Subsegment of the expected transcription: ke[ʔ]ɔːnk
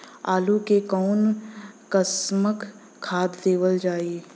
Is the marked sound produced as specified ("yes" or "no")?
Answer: no